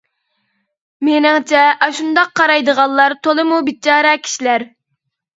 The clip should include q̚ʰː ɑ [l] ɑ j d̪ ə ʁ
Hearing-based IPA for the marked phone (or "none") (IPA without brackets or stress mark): ɾ